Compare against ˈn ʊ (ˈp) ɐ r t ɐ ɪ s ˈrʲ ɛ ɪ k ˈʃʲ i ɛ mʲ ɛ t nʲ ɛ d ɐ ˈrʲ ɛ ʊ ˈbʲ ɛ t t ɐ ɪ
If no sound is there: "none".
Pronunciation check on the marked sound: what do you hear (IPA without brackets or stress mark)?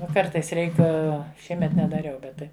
k